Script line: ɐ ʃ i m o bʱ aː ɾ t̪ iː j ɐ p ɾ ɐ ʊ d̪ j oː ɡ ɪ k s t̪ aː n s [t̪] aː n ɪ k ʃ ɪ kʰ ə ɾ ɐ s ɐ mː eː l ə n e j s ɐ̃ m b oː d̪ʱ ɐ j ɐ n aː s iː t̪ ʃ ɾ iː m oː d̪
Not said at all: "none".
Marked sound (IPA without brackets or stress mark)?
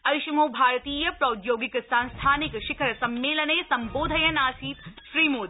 t̪ʰ